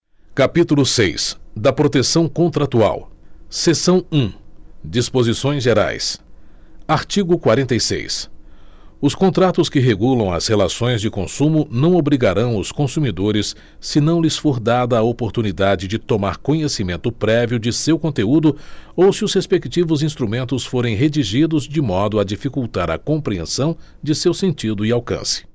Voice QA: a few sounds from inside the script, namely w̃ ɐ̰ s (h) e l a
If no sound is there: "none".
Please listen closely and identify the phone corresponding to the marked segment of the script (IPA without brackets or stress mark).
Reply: h